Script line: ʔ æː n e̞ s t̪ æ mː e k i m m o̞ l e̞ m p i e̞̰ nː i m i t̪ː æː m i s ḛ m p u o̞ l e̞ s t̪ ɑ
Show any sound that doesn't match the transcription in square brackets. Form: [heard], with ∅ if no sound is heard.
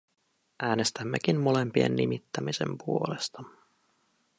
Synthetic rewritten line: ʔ æː n e̞ s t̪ æ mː e k i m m o̞ l e̞ m p i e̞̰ nː i m i t̪ː [æ] m i s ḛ m p u o̞ l e̞ s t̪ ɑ